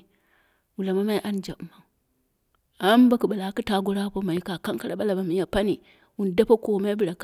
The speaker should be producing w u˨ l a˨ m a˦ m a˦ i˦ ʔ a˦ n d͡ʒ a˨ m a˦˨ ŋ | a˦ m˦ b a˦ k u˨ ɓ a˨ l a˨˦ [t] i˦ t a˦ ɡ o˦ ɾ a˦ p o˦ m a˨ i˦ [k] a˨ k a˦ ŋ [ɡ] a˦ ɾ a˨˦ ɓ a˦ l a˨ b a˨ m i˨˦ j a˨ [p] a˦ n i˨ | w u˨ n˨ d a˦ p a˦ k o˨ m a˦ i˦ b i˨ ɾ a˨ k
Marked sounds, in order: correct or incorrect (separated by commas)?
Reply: incorrect, correct, incorrect, correct